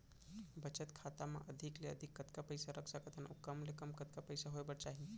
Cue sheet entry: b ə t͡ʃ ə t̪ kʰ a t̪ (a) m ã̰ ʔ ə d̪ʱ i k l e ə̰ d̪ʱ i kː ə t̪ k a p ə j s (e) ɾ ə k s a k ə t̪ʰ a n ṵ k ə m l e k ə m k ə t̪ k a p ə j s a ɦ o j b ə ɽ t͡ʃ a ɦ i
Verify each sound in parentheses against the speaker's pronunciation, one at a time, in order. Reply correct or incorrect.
correct, incorrect

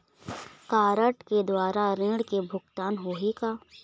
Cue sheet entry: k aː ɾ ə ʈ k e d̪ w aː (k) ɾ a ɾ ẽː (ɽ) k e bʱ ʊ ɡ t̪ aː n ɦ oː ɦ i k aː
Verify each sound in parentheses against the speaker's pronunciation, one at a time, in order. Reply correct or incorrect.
incorrect, correct

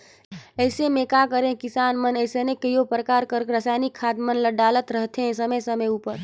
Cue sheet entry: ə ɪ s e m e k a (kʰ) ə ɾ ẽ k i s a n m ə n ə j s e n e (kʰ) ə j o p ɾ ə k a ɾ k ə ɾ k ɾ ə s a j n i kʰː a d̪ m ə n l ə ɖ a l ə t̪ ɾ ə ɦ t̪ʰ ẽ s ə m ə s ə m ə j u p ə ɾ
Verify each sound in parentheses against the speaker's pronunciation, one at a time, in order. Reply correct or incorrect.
incorrect, incorrect

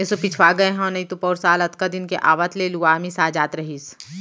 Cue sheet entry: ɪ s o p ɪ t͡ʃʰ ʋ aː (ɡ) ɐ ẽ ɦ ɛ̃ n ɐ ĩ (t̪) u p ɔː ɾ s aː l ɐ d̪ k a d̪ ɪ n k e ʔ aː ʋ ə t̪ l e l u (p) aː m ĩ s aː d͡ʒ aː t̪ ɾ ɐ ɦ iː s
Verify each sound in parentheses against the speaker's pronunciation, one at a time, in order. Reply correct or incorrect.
correct, correct, incorrect

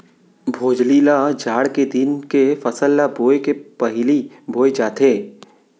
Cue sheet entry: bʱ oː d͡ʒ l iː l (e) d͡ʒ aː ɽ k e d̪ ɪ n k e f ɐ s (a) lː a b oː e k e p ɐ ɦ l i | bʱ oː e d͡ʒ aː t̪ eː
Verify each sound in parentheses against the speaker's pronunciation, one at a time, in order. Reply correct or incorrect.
incorrect, incorrect

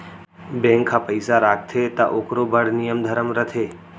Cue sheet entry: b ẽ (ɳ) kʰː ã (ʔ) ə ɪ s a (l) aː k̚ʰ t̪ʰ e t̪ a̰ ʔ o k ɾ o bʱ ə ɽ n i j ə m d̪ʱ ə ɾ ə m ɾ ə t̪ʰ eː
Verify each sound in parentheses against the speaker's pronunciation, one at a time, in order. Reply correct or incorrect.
incorrect, incorrect, incorrect

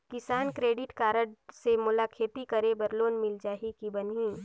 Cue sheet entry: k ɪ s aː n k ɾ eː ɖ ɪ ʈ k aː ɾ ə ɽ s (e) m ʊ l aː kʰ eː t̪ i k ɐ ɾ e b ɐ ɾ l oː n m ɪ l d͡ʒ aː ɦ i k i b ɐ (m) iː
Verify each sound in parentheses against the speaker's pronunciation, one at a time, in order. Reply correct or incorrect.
correct, incorrect

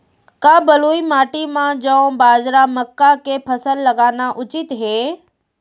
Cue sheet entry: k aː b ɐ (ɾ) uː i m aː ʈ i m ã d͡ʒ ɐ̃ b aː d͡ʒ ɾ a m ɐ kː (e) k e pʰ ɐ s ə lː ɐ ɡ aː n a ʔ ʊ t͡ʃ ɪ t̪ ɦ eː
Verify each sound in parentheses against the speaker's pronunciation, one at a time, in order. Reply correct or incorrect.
incorrect, incorrect

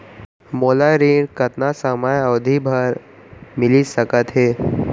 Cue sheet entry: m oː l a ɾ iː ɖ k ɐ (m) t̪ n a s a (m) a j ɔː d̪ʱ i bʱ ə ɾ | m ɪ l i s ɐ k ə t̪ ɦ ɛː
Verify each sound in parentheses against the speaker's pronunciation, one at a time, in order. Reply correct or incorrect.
incorrect, correct

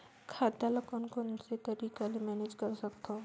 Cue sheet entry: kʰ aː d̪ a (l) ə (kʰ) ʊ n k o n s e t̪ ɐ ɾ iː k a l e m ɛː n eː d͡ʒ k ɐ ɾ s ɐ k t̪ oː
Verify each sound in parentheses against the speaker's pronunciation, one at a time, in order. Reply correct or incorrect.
correct, incorrect

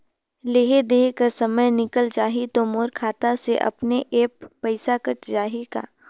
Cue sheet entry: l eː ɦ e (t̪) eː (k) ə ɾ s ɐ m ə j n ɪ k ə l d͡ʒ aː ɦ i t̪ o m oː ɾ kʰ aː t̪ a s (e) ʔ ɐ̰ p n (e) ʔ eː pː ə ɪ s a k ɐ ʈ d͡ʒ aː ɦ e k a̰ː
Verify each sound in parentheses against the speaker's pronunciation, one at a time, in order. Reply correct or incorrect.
incorrect, correct, correct, correct

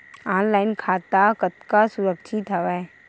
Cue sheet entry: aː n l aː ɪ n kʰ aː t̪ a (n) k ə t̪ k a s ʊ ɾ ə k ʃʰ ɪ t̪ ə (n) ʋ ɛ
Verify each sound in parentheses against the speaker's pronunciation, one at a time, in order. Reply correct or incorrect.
incorrect, incorrect

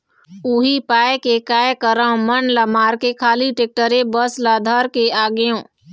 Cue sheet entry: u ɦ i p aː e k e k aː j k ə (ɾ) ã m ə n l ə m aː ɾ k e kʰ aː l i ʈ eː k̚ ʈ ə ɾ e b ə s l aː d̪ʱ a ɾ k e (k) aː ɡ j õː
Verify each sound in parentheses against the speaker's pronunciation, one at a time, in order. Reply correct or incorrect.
correct, incorrect

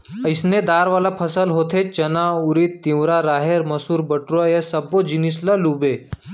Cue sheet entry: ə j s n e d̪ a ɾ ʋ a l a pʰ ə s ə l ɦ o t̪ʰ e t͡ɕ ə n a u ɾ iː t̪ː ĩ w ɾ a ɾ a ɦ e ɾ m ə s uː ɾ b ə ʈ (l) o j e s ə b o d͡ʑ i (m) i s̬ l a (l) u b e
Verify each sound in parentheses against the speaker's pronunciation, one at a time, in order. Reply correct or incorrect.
incorrect, incorrect, correct

